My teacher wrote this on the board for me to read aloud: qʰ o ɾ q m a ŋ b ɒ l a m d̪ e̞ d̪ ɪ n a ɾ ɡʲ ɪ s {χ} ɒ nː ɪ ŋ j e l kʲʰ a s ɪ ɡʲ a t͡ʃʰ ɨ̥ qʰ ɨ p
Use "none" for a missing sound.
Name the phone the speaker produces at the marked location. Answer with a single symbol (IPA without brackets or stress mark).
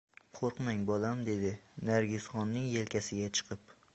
χ